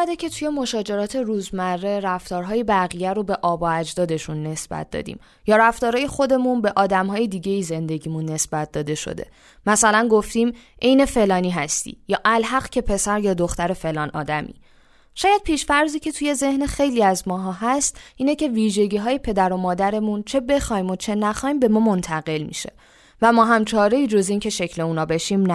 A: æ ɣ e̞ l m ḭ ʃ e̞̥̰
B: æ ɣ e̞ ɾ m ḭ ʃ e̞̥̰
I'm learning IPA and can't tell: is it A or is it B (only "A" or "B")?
A